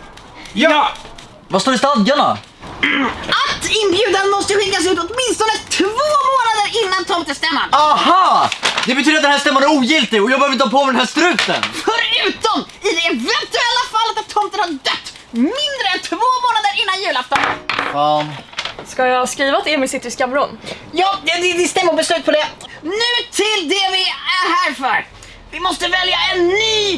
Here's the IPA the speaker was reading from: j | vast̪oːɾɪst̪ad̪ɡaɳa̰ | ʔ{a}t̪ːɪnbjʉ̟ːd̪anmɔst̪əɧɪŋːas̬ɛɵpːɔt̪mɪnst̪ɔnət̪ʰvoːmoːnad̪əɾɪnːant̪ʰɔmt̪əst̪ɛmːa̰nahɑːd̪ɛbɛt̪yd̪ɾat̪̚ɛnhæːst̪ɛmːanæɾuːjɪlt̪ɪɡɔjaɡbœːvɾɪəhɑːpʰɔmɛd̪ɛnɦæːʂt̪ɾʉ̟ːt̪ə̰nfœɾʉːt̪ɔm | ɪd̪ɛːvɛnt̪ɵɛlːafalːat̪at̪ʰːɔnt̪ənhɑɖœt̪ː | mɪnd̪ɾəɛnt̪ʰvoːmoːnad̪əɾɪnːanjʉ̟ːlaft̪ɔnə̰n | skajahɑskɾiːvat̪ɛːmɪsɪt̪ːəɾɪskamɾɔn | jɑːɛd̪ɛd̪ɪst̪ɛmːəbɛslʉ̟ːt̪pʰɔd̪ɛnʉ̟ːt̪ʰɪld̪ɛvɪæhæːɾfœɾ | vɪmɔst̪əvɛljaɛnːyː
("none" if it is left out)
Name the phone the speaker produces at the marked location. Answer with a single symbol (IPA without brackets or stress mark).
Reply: a